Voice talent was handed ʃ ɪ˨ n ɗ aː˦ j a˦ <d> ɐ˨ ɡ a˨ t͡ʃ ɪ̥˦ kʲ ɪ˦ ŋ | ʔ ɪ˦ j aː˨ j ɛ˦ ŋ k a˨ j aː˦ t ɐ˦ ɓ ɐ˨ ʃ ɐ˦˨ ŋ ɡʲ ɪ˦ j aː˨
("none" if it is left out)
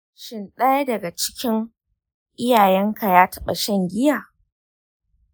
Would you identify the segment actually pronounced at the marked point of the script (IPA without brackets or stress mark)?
d